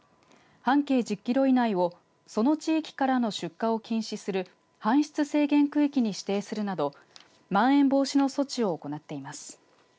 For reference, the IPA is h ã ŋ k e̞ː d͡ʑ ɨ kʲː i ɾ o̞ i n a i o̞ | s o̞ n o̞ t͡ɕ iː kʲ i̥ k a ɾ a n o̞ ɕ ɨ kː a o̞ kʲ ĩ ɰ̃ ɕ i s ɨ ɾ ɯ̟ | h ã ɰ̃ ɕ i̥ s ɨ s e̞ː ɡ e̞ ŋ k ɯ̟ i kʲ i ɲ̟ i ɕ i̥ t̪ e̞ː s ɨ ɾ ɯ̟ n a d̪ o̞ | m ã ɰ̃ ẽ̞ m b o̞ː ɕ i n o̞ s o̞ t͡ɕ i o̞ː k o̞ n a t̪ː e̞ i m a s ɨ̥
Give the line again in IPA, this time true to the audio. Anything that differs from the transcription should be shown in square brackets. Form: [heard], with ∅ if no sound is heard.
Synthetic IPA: h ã ŋ k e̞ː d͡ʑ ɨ kʲː i ɾ o̞ i n a i o̞ | s o̞ n o̞ t͡ɕ iː kʲ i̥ k a ɾ a n o̞ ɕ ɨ kː a o̞ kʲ ĩ ɰ̃ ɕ i s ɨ ɾ ɯ̟ | h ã ɰ̃ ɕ i̥ [t͡s] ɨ s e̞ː ɡ [ẽ̞] ŋ k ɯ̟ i kʲ i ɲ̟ i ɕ i̥ t̪ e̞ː s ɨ ɾ ɯ̟ n a d̪ o̞ | m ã ɰ̃ ẽ̞ m b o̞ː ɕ i n o̞ s o̞ t͡ɕ i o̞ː k o̞ n a t̪ː e̞ i m a s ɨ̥

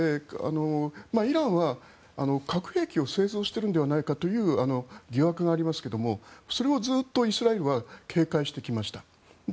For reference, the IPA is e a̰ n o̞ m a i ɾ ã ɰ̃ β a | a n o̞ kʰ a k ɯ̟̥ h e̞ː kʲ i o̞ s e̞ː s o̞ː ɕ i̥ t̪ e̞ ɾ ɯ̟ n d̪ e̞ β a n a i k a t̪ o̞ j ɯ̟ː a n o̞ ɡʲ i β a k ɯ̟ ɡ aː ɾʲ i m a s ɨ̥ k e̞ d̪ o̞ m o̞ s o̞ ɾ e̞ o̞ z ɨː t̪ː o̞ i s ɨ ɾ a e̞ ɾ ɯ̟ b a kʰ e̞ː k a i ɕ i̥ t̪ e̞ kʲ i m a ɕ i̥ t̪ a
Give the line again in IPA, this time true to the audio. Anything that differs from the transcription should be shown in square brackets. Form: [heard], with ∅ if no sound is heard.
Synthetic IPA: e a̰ n o̞ m a i ɾ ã ɰ̃ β a | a n o̞ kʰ a k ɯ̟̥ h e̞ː kʲ i o̞ s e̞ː [z] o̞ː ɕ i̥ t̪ e̞ ɾ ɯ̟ n d̪ e̞ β a n a i k a t̪ o̞ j ɯ̟ː a n o̞ ɡʲ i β a k ɯ̟ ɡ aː ɾʲ i m a s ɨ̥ k e̞ d̪ o̞ m o̞ s o̞ ɾ e̞ o̞ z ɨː t̪ː o̞ i s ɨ ɾ a e̞ ɾ ɯ̟ [β] a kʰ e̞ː k a i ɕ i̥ t̪ e̞ kʲ i m a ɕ i̥ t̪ a

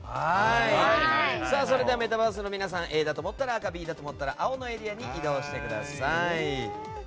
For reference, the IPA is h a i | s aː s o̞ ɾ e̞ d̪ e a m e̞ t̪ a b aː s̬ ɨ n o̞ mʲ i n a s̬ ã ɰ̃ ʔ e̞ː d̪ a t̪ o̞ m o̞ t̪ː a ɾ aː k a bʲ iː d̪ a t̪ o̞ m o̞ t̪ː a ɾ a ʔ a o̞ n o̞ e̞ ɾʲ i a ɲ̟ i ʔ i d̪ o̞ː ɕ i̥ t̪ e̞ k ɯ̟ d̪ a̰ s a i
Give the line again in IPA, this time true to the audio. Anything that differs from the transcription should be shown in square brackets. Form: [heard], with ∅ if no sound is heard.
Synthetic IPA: h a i | s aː s o̞ ɾ e̞ d̪ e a m e̞ t̪ a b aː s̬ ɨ n o̞ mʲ i n a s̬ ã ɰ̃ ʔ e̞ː d̪ a t̪ o̞ m o̞ t̪ː a ɾ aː k a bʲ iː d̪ a t̪ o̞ m o̞ t̪ː a ɾ a ʔ a o̞ n o̞ e̞ ɾʲ i a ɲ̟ i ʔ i d̪ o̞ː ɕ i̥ t̪ e̞ k ɯ̟ d̪ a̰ s a i

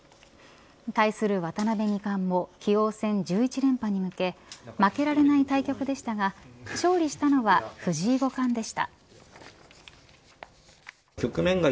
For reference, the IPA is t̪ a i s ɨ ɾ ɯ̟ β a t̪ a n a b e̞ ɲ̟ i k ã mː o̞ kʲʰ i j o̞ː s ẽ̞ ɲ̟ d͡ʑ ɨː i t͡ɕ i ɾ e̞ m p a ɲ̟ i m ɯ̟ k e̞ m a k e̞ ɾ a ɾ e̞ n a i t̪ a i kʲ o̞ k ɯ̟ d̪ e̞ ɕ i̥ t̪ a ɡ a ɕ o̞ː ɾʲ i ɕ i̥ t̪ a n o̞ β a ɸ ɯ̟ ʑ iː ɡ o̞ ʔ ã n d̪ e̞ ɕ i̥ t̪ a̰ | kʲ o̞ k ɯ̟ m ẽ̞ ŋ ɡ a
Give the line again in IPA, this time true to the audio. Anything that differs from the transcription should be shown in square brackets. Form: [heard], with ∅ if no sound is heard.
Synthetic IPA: t̪ a i s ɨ ɾ ɯ̟ β a t̪ a n a b e̞ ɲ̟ i k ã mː o̞ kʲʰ i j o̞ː s ẽ̞ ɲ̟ d͡ʑ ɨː i t͡ɕ i ɾ [ẽ̞] m p a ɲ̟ i m ɯ̟ k e̞ m a k e̞ ɾ a ɾ e̞ n a i t̪ a i kʲ o̞ k ɯ̟ d̪ e̞ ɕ i̥ t̪ a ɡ a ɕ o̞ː ɾʲ i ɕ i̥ t̪ a n o̞ β a ɸ ɯ̟ ʑ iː ɡ o̞ [k] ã n d̪ e̞ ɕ i̥ t̪ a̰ | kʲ o̞ k ɯ̟ m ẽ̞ ŋ ɡ a

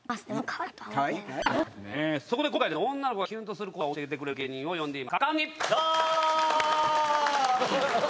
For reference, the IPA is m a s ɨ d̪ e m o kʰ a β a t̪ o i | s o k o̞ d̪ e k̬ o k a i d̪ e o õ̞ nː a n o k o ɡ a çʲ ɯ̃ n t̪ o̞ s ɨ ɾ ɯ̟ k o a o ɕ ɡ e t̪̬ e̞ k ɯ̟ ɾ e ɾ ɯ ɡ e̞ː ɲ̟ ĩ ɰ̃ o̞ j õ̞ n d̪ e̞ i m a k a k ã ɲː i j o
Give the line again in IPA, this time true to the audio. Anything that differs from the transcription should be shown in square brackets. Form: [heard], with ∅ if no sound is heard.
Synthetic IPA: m a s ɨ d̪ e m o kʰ a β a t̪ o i | s o k o̞ d̪ e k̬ o k a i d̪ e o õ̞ nː a n o k o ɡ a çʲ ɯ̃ n t̪ o̞ s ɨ ɾ ɯ̟ k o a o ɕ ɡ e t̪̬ e̞ k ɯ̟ ɾ e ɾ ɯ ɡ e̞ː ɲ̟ ĩ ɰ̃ o̞ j õ̞ n d̪ e̞ i m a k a k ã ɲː i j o

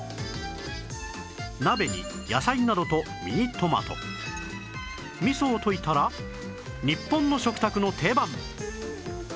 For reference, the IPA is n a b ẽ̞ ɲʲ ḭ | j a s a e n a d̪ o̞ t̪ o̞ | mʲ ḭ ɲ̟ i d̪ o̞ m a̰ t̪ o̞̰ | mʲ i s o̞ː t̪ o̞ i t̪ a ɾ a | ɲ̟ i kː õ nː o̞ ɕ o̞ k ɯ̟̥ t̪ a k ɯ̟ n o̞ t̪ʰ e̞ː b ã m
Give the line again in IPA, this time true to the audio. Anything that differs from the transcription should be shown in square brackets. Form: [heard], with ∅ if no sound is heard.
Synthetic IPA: n a b [e̞] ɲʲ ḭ | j a s a [i] n a d̪ o̞ t̪ o̞ | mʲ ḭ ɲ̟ i [t̪] o̞ m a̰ t̪ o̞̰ | mʲ i s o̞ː t̪ o̞ i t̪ a ɾ a | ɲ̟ i [pː] õ nː o̞ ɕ o̞ k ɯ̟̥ t̪ a k ɯ̟ n o̞ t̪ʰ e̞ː b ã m

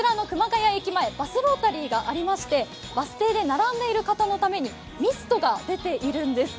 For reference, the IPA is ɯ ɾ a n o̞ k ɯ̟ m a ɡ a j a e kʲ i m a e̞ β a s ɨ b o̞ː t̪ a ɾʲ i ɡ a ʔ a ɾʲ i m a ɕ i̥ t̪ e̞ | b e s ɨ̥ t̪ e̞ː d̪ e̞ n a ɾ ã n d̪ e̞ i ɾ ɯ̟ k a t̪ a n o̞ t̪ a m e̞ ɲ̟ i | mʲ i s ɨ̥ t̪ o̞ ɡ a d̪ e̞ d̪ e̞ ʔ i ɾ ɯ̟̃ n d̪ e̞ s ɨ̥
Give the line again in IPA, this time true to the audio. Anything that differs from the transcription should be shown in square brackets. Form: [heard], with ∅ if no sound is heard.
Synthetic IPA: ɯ ɾ a n o̞ k ɯ̟ m a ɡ a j a e kʲ i m a e̞ [b] a s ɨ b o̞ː t̪ a ɾʲ [iː] ɡ a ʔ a ɾʲ i m a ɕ i̥ t̪ e̞ | b [a] s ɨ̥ t̪ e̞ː d̪ e̞ n a ɾ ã n d̪ e̞ i ɾ ɯ̟ k a t̪ a n o̞ t̪ a m e̞ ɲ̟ i | mʲ i s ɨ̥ t̪ o̞ ɡ a d̪ e̞ [t̪] e̞ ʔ i ɾ ɯ̟̃ n d̪ e̞ s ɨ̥

